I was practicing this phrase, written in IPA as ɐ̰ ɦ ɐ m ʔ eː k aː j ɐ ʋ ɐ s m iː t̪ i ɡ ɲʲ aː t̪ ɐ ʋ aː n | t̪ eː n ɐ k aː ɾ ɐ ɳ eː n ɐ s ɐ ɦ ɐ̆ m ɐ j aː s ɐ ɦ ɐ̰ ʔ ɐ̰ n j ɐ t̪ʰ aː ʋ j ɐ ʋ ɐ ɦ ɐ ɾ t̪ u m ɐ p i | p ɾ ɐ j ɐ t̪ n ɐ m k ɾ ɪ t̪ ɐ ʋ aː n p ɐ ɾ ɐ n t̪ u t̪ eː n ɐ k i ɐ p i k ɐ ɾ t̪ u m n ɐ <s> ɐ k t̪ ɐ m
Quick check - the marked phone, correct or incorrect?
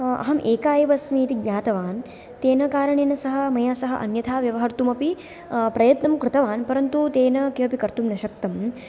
incorrect